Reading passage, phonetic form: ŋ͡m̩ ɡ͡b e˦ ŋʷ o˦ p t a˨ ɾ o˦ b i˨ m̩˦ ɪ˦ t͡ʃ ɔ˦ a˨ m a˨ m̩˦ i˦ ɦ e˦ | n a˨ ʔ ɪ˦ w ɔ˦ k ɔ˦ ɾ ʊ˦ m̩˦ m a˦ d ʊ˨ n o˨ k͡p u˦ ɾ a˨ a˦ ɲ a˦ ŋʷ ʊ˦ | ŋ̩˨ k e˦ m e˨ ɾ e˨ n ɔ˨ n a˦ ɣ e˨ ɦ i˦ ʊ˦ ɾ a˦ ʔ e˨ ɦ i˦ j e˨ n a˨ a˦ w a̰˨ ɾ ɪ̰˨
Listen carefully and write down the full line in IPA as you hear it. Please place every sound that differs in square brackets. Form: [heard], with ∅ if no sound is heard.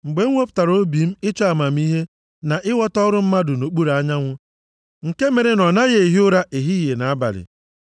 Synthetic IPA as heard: ŋ͡m̩ ɡ͡b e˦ ŋʷ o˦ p t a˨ ɾ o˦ b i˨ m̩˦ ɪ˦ t͡ʃ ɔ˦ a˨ m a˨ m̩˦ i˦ ɦ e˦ | n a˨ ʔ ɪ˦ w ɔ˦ [t] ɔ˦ ɾ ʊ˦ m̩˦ m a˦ d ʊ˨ n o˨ k͡p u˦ ɾ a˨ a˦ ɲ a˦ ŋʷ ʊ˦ | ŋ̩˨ k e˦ m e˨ ɾ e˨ n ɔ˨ n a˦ ɣ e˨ ɦ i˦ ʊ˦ ɾ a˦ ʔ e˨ ɦ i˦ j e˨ n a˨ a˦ [b] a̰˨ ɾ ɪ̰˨